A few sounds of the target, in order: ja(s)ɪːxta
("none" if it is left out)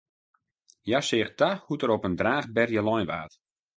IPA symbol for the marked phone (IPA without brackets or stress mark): s